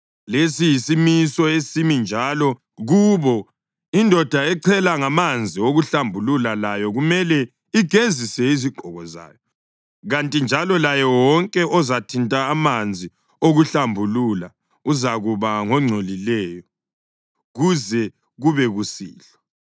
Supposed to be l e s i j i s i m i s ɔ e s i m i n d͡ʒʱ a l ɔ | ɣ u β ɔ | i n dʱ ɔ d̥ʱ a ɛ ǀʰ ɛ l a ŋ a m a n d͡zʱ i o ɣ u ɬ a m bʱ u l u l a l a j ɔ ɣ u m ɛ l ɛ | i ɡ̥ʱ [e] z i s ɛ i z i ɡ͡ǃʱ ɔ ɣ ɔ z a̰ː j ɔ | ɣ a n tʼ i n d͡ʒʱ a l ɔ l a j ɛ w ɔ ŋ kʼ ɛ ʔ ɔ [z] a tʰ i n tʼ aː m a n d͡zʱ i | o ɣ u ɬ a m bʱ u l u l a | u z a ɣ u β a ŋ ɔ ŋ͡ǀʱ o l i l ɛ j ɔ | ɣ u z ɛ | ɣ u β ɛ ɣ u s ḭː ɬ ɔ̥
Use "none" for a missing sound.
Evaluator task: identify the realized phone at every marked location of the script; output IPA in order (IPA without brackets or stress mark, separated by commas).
e, z